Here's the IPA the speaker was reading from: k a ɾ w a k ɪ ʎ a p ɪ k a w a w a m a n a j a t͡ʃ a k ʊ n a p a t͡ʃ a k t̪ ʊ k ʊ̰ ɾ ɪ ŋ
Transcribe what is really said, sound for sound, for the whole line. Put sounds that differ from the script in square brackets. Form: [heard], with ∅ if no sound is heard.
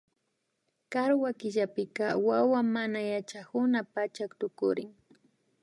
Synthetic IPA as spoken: k a ɾ w a k ɪ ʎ a p ɪ k a w a w a m a n a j a t͡ʃ a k ʊ n a p a t͡ʃ a k t̪ ʊ k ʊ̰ ɾ ɪ ŋ